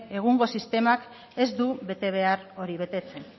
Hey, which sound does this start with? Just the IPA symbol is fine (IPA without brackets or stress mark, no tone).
e̞